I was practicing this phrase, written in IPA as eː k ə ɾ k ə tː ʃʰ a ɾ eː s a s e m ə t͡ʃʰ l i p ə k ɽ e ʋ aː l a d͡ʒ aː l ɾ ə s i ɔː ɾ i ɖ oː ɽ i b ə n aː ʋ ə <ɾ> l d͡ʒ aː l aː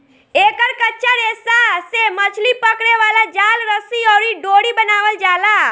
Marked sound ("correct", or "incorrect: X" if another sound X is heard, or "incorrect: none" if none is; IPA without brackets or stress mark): incorrect: none